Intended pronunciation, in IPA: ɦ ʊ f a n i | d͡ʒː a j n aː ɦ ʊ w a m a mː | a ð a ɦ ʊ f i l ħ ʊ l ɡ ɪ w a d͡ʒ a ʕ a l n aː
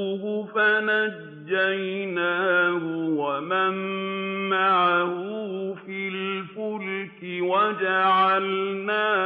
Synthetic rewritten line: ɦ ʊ f a n a | d͡ʒː a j n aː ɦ ʊ w a m a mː | a ʕ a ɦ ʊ f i l f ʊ l k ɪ w a d͡ʒ a ʕ a l n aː

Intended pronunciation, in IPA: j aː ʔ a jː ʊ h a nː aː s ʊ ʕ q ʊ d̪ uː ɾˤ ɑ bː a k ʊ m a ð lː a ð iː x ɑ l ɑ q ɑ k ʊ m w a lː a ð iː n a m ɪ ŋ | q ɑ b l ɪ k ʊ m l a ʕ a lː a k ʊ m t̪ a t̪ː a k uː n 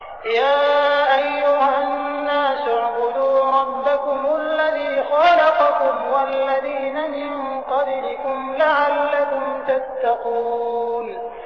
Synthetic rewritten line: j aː ʔ a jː ʊ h a nː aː s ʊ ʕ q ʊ d̪ uː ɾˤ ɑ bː a k ʊ m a lː a ð iː x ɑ l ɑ q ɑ k ʊ m w a lː a ð iː n a m ɪ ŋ | q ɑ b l ɪ k ʊ m l a ʕ a lː a k ʊ m t̪ a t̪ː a q uː n

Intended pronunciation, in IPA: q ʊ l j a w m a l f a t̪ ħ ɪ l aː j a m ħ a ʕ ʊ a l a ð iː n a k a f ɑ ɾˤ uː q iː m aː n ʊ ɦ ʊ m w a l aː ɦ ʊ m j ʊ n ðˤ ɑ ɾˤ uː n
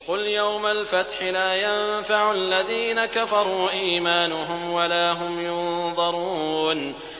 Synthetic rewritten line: q ʊ l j a w m a l f a t̪ ħ ɪ l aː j a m f a ʕ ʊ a lː a ð iː n a k a f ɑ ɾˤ uː ʔ iː m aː n ʊ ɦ ʊ m w a l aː ɦ ʊ m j ʊ n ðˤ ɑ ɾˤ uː n

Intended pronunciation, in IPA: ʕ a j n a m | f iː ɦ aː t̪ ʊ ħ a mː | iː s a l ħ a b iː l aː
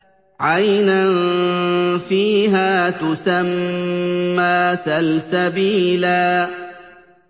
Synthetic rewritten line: ʕ a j n a n | f iː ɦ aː t̪ ʊ s a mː | aː s a l s a b iː l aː

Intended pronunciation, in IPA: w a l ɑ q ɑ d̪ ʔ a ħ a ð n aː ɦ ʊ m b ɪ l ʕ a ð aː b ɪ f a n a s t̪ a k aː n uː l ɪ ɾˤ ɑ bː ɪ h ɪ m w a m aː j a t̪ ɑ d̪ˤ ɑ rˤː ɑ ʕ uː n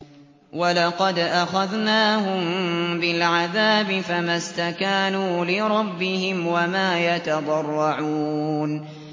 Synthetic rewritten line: w a l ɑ q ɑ d̪ ʔ a x a ð n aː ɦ ʊ m b ɪ l ʕ a ð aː b ɪ f a m a s t̪ a k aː n uː l ɪ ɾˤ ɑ bː ɪ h ɪ m w a m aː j a t̪ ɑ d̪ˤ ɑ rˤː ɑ ʕ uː n

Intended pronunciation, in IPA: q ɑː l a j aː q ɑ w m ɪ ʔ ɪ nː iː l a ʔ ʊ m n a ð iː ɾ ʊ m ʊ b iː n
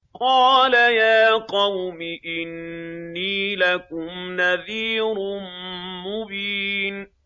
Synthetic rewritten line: q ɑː l a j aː q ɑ w m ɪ ʔ ɪ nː iː l a k ʊ m n a ð iː ɾ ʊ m ʊ b iː n

